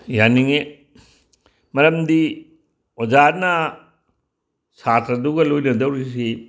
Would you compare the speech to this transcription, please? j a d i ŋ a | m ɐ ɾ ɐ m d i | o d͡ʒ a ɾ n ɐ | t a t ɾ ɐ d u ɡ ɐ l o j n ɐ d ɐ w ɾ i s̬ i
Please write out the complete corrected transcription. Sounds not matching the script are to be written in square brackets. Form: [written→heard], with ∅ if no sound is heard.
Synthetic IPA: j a [d→n] i ŋ [a→e] | m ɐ ɾ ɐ m d i | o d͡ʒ a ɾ n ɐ | [t→s] a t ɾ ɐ d u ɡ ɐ l o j n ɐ d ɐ w ɾ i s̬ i